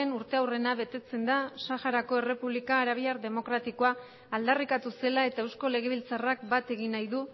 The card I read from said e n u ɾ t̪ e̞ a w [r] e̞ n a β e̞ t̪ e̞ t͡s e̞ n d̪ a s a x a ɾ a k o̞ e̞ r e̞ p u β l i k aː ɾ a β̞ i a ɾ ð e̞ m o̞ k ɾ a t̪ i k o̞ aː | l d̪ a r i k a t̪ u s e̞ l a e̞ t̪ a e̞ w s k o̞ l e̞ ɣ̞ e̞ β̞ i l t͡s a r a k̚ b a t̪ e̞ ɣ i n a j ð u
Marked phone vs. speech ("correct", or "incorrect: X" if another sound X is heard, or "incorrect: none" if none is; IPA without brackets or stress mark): correct